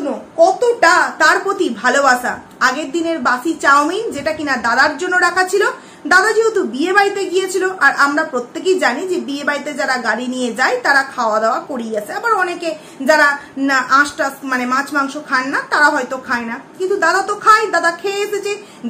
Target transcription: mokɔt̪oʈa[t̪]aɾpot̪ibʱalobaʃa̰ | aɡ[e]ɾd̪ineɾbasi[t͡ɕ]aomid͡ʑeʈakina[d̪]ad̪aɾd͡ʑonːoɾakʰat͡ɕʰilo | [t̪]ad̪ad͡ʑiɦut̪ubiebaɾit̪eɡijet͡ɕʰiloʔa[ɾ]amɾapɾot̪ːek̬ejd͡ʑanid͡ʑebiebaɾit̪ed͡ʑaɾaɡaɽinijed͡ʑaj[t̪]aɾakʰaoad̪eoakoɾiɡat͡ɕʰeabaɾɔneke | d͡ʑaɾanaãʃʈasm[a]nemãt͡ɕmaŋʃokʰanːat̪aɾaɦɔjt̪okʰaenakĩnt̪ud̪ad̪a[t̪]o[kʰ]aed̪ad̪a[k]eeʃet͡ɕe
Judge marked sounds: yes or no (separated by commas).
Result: yes, yes, yes, yes, no, yes, yes, yes, yes, yes, no